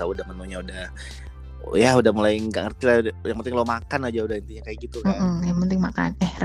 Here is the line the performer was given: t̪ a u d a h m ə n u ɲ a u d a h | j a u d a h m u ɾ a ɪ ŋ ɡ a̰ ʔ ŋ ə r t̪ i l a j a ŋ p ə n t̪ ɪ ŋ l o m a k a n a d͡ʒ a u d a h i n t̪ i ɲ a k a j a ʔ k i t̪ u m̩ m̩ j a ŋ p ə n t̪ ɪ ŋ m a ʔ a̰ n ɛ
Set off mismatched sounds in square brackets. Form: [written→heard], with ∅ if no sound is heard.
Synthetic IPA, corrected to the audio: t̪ a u d a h m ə n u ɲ a u d a h | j a u d a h m u [ɾ→l] a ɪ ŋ ɡ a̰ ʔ ŋ ə r t̪ i l a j a ŋ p ə n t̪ ɪ ŋ l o m a k a n a d͡ʒ a u d a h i n t̪ i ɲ a k a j a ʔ [k→ɡ] i t̪ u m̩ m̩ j a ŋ p ə n t̪ ɪ ŋ m a [ʔ→k] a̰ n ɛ